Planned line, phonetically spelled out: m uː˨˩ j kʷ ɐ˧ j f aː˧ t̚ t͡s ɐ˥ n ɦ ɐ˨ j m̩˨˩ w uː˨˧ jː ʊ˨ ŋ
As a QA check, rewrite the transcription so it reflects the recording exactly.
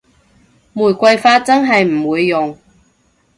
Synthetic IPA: m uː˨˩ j kʷ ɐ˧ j f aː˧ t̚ t͡s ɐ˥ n ɦ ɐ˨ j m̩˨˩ w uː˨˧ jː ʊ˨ ŋ

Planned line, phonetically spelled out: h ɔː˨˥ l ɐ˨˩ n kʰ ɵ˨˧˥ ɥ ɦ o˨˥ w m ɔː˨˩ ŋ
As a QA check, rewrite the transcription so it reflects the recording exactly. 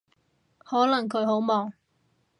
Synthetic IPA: h ɔː˨˥ l ɐ˨˩ ŋ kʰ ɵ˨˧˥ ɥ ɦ o˨˥ w m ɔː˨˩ ŋ

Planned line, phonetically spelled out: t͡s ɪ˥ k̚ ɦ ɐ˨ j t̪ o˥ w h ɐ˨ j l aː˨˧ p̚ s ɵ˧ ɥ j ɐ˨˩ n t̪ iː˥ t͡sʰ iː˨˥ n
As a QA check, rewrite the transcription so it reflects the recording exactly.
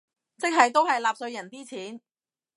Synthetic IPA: t͡s ɪ˥ k̚ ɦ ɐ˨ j t̪ o˥ w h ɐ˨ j l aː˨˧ p̚ s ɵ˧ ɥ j ɐ˨˩ n t̪ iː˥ t͡sʰ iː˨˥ n

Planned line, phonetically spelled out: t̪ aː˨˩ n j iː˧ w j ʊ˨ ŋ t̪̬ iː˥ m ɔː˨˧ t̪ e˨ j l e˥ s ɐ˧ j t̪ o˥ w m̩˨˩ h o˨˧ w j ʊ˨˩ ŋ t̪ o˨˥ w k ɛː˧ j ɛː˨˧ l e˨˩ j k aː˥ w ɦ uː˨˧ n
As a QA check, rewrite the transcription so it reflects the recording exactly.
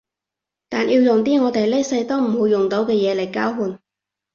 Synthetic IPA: t̪ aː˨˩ n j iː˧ w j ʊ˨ ŋ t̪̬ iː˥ ŋ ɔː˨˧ t̪ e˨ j l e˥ s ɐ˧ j t̪ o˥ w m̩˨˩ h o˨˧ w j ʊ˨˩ ŋ t̪ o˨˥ w k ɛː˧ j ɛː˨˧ l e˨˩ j k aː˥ w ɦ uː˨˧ n

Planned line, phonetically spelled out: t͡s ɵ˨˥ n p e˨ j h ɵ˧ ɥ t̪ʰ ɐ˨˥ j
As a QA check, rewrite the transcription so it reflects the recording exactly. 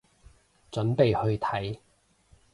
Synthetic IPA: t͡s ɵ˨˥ n p e˨ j h ɵ˧ ɥ t̪ʰ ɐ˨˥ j

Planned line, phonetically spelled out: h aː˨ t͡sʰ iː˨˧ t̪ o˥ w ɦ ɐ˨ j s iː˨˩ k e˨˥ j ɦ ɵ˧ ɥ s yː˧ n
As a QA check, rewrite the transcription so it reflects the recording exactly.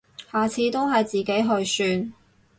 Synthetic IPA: h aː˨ t͡sʰ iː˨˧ t̪ o˥ w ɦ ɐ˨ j t͡s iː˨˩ k e˨˥ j ɦ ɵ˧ ɥ s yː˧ n

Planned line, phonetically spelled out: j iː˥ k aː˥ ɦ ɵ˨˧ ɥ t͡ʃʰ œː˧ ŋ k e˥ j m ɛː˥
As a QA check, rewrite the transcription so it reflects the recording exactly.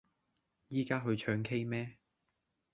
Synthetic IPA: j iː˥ k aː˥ ɦ ɵ˨˧ ɥ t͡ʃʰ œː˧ ŋ kʰ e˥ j m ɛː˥

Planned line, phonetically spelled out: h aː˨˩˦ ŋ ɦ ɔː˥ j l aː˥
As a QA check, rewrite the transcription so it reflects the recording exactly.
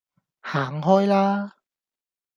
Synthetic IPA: h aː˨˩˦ ŋ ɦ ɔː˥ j l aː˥

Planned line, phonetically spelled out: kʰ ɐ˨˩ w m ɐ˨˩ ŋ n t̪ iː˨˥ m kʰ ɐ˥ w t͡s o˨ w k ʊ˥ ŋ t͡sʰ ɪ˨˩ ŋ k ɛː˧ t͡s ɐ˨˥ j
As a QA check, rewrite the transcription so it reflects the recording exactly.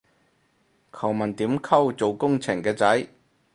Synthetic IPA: kʰ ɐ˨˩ w m ɐ˨˩ n t̪ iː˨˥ m kʰ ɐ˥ w t͡s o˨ w k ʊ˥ ŋ t͡sʰ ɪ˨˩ ŋ k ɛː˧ t͡s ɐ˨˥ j

